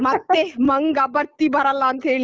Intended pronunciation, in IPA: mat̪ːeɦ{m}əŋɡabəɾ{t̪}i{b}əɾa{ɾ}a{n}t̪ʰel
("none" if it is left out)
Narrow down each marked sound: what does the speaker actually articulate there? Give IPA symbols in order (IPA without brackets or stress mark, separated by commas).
m, t̪, b, l, n